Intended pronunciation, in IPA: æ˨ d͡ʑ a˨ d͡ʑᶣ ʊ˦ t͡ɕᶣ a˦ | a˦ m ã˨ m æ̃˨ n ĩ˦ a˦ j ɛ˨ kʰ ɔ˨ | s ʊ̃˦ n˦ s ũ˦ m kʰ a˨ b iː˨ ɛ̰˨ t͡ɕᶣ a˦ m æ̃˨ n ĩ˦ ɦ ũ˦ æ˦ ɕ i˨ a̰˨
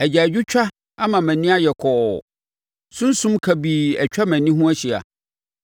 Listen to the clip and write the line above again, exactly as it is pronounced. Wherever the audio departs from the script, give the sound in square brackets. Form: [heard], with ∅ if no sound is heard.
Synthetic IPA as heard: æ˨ d͡ʑ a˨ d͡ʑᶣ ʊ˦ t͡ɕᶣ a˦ | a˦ m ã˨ m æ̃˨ n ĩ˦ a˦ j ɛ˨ kʰ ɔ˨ | s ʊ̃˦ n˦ s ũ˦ m kʰ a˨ b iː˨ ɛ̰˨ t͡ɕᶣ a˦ m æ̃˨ n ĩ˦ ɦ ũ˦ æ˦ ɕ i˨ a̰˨